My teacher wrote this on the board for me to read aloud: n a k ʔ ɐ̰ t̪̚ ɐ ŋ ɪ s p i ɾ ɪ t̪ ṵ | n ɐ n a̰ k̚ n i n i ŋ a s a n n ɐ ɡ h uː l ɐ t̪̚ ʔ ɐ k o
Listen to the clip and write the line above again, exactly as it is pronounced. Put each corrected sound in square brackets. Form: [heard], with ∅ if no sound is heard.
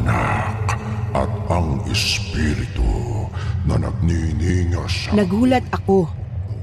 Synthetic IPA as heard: n a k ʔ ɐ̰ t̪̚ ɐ ŋ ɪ s p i ɾ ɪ t̪ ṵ | n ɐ n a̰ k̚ n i n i ŋ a s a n n ɐ ɡ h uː l ɐ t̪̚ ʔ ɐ k o